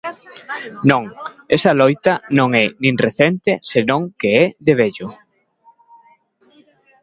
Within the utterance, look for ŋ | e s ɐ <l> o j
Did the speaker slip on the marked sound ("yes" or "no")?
no